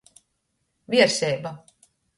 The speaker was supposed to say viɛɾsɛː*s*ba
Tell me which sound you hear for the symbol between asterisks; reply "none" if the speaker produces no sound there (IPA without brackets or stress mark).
none